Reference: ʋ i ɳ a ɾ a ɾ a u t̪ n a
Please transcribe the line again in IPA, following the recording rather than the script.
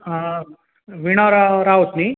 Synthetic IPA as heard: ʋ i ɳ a ɾ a ɾ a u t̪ n i